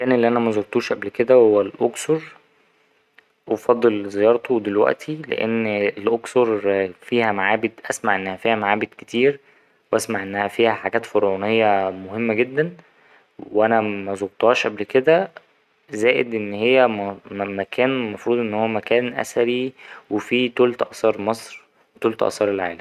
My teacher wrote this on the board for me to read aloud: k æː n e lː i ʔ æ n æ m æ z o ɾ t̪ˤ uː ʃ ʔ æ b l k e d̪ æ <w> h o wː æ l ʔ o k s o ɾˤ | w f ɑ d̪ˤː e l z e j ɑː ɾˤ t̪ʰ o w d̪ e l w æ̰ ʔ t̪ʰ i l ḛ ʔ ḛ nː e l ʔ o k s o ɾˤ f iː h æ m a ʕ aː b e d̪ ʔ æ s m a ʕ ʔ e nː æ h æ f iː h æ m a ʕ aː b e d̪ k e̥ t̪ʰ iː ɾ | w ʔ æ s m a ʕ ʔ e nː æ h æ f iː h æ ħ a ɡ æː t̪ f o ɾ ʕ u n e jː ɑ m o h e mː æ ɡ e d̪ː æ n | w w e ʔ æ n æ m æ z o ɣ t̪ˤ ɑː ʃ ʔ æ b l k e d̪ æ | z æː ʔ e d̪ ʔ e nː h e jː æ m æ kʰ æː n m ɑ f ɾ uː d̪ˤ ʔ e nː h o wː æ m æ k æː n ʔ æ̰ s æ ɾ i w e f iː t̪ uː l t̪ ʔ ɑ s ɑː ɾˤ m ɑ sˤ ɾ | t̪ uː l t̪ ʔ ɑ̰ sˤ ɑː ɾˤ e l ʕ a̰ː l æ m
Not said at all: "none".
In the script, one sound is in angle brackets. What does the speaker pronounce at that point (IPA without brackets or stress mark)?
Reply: w